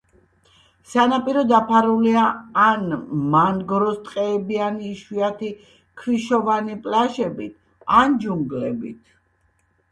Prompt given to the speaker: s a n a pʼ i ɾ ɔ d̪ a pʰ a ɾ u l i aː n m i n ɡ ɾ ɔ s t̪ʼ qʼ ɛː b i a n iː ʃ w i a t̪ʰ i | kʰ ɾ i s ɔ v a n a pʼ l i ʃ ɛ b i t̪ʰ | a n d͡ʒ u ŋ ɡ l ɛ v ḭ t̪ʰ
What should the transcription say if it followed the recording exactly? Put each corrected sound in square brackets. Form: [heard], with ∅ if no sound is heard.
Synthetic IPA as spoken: s a n a pʼ i ɾ ɔ d̪ a pʰ a ɾ u l i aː n m [a] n ɡ ɾ ɔ s t̪ʼ qʼ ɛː b i a n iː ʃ w i a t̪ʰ i | kʰ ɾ i [ʃ] ɔ v a n [i] pʼ l [a] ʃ ɛ b i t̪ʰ | a n d͡ʒ u ŋ ɡ l ɛ [b] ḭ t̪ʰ